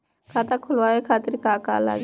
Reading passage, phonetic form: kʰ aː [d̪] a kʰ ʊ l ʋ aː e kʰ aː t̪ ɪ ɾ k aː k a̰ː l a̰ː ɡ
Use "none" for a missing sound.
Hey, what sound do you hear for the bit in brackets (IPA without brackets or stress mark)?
t̪